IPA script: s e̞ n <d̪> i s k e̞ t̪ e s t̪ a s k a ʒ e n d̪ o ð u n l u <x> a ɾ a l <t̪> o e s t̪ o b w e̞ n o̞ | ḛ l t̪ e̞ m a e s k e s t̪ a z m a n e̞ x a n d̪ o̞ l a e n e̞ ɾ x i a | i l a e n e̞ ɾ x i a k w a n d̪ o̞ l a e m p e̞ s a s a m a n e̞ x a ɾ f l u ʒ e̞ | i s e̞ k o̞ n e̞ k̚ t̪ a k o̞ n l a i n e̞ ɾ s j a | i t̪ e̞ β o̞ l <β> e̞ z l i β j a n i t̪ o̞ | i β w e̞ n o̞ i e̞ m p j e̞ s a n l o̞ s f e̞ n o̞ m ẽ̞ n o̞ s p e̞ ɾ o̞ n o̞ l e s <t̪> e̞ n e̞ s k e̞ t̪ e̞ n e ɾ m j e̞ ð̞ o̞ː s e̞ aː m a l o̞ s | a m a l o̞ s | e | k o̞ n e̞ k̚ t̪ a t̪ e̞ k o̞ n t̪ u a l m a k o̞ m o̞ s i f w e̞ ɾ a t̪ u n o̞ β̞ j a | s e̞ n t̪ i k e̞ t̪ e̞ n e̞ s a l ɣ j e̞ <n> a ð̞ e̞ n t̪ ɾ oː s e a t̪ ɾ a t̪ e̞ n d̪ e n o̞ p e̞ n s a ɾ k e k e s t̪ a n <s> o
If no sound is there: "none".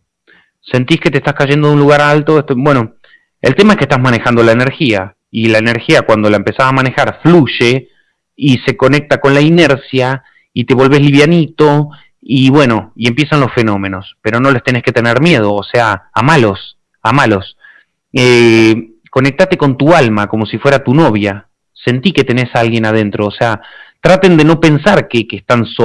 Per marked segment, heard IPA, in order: t̪, ɣ, t̪, β, t̪, n, s

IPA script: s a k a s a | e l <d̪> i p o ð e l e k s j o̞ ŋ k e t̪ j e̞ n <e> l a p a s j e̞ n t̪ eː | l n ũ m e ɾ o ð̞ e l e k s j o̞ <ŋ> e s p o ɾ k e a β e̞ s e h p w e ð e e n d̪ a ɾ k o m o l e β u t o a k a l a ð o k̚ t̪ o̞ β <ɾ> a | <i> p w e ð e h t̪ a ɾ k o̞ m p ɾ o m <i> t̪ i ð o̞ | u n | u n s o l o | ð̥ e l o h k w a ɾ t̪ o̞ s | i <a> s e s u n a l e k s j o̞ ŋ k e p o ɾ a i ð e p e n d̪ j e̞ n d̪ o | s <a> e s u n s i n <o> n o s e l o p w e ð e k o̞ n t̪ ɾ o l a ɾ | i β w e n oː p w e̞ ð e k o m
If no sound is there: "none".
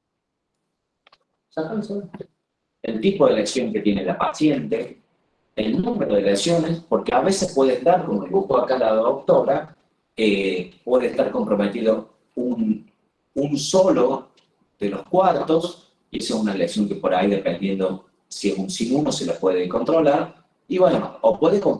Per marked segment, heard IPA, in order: t̪, e, n, ɾ, e, e, e, i, u

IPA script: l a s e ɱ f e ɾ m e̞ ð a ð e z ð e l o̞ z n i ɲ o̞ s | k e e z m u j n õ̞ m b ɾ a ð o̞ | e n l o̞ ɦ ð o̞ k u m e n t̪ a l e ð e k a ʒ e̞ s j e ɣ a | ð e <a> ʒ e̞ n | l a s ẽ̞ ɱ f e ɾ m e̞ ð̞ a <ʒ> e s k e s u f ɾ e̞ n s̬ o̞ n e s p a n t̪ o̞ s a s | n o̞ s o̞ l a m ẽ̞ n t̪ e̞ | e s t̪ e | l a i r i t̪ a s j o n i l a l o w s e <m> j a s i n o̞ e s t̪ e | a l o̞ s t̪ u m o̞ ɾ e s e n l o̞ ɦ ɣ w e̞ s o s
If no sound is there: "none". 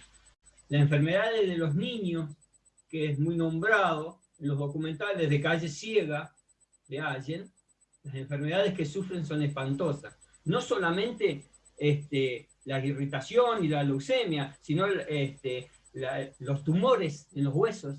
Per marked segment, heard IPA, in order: a, ð, m

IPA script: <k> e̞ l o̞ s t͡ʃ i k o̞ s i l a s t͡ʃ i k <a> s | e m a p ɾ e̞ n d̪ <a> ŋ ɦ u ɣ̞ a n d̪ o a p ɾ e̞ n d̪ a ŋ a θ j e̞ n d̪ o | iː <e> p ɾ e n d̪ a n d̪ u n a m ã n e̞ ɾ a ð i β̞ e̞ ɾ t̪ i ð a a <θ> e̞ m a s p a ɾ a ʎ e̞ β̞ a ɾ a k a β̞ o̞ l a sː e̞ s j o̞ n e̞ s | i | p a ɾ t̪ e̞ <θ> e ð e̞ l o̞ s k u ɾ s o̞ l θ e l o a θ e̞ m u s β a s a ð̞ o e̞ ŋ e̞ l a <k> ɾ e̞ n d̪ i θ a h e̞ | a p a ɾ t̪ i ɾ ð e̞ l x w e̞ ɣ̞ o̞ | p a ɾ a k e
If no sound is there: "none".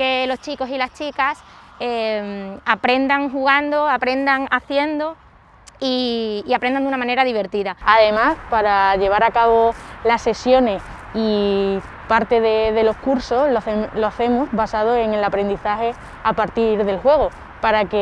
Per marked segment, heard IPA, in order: k, a, a, a, ð, ð, p

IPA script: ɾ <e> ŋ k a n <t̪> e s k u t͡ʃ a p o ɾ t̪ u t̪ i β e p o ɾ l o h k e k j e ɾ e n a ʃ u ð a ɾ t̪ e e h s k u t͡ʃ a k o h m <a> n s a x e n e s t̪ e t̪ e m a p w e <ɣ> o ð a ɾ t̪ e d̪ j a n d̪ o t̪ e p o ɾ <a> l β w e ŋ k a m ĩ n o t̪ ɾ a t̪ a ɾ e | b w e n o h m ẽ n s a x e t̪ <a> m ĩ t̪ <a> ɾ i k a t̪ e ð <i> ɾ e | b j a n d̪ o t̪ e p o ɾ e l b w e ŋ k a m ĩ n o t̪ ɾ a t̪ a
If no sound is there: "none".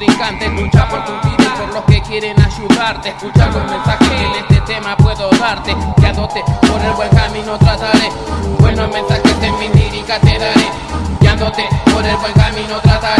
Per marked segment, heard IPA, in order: i, t̪, e, ð, e, e, i, a

